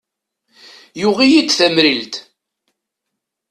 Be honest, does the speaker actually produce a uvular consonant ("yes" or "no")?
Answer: yes